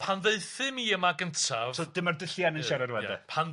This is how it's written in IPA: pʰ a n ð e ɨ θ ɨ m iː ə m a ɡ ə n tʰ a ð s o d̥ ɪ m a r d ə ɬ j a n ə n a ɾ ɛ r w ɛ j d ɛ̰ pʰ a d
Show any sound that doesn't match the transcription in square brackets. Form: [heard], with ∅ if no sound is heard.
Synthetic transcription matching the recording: pʰ a n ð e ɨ θ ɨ m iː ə m a ɡ ə n tʰ a [v] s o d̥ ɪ m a r d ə ɬ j a n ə n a ɾ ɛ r w ɛ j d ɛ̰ pʰ a [n]